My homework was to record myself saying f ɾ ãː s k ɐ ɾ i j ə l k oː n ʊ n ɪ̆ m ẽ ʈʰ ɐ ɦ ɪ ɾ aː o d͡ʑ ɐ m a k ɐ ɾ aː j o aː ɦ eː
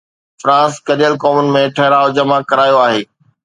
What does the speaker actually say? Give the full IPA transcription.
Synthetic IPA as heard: f ɾ ãː s k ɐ ɾ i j ə l k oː m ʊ n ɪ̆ m ẽ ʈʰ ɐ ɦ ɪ ɾ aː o d͡ʑ ɐ m a k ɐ ɾ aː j o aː ɦ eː